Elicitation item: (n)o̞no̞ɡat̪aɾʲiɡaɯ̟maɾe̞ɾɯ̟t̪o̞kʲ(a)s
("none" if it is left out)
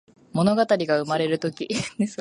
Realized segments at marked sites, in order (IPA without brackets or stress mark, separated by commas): m, i